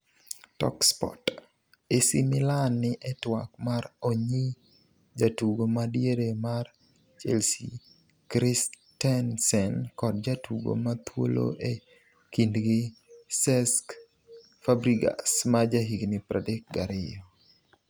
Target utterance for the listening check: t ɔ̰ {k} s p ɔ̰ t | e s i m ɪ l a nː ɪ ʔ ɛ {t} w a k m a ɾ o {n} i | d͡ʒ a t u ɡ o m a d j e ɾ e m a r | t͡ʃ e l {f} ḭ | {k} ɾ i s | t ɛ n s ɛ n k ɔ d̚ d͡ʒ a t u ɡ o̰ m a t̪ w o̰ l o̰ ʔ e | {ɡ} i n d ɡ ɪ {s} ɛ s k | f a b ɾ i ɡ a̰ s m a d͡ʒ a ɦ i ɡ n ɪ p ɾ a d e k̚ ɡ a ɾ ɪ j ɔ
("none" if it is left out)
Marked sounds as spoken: k, t, ɲ, s, k, k, s

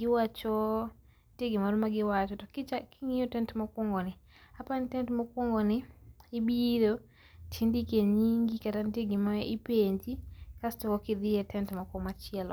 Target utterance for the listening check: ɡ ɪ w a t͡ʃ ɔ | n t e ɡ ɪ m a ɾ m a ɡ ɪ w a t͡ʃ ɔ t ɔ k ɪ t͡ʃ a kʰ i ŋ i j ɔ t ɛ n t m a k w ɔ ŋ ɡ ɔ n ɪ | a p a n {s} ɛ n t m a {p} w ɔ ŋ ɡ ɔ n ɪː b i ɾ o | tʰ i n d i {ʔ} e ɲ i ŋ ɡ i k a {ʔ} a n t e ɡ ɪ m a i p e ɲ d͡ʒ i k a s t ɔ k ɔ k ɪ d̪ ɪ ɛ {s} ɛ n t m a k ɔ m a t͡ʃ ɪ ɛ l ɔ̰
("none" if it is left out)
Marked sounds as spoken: t, k, k, t, t

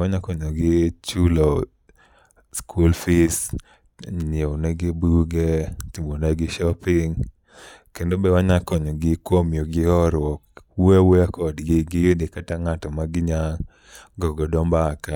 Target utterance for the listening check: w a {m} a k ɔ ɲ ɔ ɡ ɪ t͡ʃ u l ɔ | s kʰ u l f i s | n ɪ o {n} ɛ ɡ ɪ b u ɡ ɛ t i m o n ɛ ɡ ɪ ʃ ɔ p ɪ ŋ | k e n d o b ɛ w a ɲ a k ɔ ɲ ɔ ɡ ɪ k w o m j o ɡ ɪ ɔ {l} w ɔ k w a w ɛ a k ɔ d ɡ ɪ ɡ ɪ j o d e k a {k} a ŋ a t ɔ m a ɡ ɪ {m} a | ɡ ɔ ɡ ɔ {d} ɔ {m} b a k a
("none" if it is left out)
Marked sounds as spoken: ɲ, n, ɾ, t, ɲ, d, m

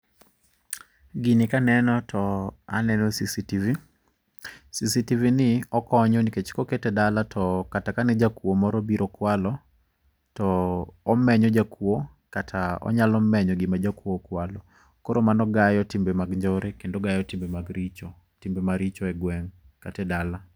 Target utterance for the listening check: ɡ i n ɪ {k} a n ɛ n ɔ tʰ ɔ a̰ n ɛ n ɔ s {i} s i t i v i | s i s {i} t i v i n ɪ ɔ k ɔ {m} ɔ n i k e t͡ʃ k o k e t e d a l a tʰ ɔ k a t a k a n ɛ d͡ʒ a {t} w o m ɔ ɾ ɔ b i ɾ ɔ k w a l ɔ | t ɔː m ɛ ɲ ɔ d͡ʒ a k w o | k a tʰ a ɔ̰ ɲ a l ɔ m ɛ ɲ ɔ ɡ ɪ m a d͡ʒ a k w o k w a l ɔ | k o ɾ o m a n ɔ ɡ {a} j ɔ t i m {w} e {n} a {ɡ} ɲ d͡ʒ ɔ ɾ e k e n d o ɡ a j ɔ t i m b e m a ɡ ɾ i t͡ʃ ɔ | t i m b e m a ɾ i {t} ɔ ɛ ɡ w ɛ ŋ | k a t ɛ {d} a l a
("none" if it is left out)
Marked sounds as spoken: k, i, i, ɲ, k, a, b, m, ɡ, t͡ʃ, d

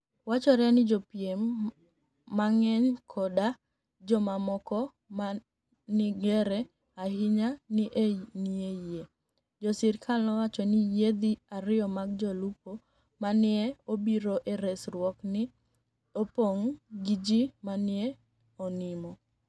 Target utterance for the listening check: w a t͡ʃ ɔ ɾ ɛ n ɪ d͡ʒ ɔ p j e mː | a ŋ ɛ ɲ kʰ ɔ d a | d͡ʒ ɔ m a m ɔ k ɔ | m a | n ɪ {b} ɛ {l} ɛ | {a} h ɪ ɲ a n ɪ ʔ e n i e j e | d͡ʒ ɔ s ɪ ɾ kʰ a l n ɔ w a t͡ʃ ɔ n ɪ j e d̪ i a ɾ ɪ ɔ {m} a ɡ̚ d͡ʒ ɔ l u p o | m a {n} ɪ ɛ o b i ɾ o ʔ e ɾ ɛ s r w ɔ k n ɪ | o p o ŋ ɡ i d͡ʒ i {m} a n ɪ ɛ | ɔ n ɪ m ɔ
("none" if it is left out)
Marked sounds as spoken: ɡ, ɾ, a, m, n, m

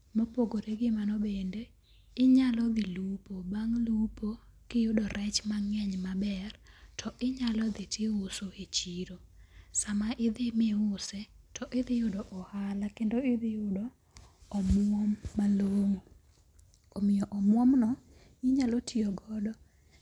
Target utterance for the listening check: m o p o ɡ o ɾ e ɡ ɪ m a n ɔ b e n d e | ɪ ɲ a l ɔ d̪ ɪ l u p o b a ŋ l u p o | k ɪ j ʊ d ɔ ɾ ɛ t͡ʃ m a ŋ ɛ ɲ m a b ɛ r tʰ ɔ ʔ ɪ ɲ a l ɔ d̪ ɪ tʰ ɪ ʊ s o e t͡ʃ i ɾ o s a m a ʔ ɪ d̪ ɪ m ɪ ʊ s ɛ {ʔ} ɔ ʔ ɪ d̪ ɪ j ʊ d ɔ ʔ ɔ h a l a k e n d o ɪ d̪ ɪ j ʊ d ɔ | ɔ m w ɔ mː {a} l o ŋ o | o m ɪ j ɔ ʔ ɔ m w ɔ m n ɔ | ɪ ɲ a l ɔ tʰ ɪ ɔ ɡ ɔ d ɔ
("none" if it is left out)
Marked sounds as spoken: t, a

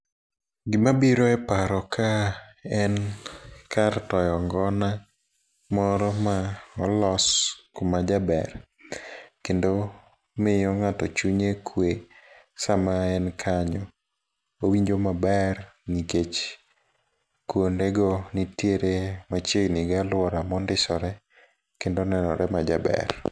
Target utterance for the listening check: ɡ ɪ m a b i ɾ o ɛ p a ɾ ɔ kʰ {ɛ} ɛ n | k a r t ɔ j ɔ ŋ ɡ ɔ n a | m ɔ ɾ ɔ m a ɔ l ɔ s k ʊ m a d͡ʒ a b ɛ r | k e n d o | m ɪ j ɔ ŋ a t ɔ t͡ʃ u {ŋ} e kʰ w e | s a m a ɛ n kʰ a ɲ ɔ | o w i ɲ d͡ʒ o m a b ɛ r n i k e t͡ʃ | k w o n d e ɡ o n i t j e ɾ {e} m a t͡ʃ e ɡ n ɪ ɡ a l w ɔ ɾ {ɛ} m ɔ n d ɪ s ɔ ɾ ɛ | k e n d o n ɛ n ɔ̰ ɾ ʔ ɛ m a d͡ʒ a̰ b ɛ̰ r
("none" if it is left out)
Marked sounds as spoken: a, ɲ, e, a

